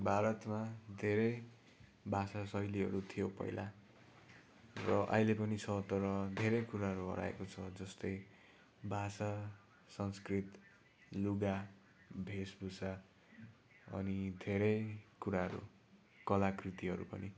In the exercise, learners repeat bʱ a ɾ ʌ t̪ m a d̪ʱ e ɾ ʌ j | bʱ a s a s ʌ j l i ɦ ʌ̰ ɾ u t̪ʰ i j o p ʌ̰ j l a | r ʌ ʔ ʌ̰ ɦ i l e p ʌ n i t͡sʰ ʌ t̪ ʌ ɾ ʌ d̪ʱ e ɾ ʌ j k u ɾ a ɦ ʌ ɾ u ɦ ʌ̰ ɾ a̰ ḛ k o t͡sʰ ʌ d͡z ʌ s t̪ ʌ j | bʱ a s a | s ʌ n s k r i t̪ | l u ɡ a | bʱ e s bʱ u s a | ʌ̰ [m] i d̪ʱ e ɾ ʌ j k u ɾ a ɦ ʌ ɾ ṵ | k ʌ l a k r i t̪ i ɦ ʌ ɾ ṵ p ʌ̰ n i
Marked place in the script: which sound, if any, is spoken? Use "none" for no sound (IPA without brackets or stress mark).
n